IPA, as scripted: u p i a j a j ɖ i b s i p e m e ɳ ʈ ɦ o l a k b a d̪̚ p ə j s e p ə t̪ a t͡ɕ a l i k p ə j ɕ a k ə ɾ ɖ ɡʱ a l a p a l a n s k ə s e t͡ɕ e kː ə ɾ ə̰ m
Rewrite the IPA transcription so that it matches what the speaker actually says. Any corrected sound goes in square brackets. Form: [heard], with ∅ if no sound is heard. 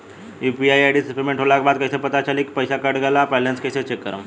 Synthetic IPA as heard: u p i a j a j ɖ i [∅] s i p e m e ɳ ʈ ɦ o l a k b a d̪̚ [k] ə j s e p ə t̪ a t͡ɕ a l i k p ə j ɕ a k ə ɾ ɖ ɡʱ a l a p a l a n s k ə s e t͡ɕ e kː ə ɾ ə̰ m